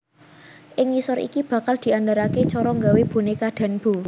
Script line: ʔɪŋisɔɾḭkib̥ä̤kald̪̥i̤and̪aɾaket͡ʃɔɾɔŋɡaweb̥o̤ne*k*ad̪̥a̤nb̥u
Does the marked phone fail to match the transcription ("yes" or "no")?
no